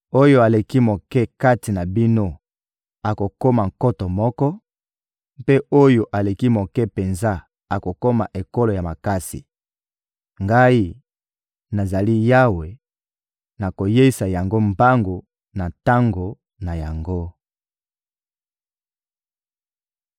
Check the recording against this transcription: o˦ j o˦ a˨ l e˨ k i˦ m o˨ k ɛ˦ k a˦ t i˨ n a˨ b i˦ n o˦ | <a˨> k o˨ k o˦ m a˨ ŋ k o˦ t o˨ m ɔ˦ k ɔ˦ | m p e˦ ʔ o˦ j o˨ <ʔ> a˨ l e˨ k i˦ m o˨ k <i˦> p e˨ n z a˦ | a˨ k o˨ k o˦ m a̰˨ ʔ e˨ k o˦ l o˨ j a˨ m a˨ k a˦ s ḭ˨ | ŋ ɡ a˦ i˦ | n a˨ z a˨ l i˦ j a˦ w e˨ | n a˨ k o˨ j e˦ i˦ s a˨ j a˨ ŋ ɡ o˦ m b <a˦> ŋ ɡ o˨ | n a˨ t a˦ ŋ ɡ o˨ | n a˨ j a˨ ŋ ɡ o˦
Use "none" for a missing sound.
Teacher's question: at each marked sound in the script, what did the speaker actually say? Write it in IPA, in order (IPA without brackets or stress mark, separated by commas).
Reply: a˨, ʔ, ɛ˦, a˦